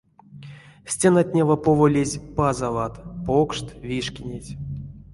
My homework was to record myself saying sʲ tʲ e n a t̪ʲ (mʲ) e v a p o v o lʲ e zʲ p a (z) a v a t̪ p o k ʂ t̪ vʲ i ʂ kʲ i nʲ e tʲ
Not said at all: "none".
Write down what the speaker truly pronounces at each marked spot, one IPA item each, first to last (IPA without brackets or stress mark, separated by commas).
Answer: nʲ, z